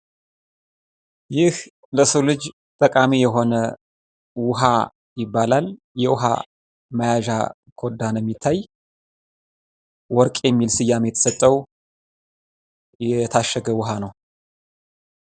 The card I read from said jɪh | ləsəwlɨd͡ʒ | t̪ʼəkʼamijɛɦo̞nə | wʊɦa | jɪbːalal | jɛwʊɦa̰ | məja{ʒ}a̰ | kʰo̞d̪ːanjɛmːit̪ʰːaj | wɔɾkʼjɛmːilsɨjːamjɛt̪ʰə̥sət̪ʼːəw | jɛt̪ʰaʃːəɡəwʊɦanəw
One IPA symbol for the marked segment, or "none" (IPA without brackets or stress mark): ʒ